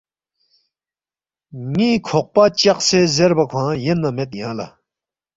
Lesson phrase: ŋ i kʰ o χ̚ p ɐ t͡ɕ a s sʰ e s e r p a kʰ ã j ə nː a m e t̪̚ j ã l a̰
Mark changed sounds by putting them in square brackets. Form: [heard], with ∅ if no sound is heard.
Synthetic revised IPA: ŋ i kʰ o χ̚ p [a] t͡ɕ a [χ] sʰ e [z] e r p a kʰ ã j ə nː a m e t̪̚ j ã l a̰